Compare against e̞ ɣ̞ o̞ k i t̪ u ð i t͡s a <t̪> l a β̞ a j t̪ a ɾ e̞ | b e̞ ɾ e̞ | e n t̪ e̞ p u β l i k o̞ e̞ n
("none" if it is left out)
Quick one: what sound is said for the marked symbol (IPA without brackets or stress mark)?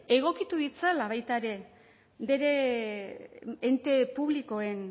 none